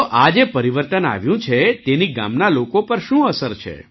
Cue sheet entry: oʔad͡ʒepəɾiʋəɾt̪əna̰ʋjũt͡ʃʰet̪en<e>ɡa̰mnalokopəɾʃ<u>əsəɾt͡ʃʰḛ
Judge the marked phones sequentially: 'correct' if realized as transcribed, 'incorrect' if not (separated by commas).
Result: incorrect, incorrect